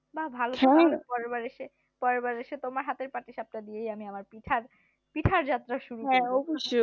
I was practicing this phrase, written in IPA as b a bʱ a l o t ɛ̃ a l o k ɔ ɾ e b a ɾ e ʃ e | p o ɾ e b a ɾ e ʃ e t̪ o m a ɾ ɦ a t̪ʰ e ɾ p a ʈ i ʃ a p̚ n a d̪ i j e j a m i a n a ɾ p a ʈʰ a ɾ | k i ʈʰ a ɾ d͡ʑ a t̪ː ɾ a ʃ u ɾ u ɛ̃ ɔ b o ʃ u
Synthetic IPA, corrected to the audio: b a bʱ a l o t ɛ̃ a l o p ɔ ɾ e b a ɾ e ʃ e | p ɔ ɾ e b a ɾ e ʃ e t̪ o m a ɾ ɦ a t̪ e ɾ p a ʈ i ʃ a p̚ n a d̪ i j e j a m i a m a ɾ p i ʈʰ a ɾ | p i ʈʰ a ɾ d͡ʑ a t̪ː ɾ a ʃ u ɾ u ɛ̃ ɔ b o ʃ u

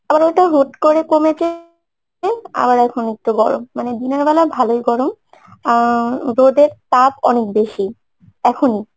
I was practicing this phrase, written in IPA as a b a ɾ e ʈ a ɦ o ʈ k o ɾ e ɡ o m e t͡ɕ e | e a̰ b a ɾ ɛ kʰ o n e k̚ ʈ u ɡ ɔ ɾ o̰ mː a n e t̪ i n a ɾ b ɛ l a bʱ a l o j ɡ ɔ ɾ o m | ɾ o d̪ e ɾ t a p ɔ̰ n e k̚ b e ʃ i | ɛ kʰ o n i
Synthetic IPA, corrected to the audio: a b a ɾ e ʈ a ɦ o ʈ k o ɾ e k o m e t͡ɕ e | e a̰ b a ɾ ɛ kʰ o n e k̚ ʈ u ɡ ɔ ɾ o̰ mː a n e d̪ i n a ɾ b ɛ l a bʱ a l o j ɡ ɔ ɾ o m | ɾ o d̪ e ɾ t a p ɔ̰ n e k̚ b e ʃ i | ɛ kʰ o n i

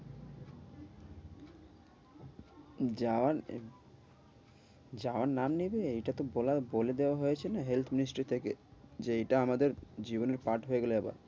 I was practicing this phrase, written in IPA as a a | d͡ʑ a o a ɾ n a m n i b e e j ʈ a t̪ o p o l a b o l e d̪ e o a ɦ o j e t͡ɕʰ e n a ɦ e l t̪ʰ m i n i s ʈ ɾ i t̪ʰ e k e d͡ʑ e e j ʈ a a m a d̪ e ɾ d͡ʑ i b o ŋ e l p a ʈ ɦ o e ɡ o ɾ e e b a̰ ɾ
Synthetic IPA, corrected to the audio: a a | d͡ʑ a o a ɾ n a m n i b e e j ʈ a t̪ o b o l a b o l e d̪ e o a ɦ o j e t͡ɕʰ e n a ɦ e l t̪ʰ m i n i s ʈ ɾ i t̪ʰ e k e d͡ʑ e e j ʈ a a m a d̪ e ɾ d͡ʑ i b o n e ɾ p a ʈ ɦ o e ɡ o l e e b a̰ ɾ

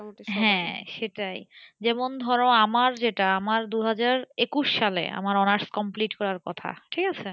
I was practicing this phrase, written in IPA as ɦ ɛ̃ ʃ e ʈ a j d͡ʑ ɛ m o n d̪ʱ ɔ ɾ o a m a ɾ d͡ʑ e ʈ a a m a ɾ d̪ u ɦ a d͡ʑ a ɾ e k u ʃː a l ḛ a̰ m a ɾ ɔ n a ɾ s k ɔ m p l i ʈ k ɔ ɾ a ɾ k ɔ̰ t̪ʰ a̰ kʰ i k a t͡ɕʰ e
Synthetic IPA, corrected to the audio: ɦ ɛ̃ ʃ e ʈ a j d͡ʑ ɛ m o n d̪ʱ ɔ ɾ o a m a ɾ d͡ʑ e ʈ a a m a ɾ d̪ u ɦ a d͡ʑ a ɾ e k u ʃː a l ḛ a̰ m a ɾ ɔ n a ɾ s k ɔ m p l i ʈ k ɔ ɾ a ɾ k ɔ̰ t̪ʰ a̰ ʈʰ i k a t͡ɕʰ e

